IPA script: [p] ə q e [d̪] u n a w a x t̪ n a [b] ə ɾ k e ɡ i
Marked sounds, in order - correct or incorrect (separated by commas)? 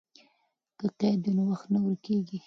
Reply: incorrect, correct, incorrect